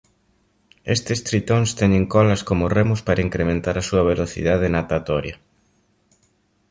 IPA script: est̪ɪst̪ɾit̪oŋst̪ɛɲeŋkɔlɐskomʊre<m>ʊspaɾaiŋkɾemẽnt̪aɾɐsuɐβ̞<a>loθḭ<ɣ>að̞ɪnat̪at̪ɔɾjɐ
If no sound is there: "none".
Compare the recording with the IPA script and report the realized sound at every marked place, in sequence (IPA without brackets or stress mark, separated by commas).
m, e, ð